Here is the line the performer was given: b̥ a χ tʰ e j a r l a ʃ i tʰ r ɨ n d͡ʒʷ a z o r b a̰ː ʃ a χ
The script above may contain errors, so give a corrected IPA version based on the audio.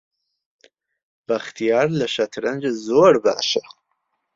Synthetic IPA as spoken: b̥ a χ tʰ i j a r l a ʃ a tʰ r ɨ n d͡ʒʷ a z o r b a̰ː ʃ a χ